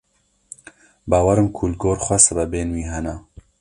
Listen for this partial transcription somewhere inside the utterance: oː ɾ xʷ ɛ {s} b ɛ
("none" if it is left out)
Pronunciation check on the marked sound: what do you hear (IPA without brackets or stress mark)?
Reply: s